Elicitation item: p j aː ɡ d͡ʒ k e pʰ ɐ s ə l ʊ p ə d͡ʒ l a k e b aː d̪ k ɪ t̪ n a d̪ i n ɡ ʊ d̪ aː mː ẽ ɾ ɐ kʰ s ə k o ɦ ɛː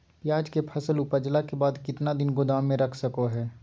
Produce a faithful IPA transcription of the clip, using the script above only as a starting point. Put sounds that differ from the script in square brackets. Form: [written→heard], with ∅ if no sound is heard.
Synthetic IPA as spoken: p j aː [ɡ→∅] d͡ʒ k e pʰ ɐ s ə l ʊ p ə d͡ʒ l a k e b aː d̪ k ɪ t̪ n a d̪ [i→ɪ] n ɡ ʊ d̪ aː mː ẽ ɾ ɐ kʰ s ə k o ɦ ɛː